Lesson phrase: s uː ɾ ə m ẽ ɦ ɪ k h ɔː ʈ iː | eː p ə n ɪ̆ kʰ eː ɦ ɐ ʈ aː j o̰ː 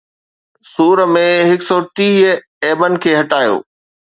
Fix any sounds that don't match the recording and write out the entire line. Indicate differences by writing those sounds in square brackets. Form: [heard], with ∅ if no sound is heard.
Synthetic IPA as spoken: s uː ɾ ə m ẽ ɦ ɪ k [s] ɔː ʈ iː | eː [b] ə n ɪ̆ kʰ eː ɦ ɐ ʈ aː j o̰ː